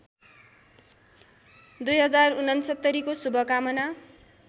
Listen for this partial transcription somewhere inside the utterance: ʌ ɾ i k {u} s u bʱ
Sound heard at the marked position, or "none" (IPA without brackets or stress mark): o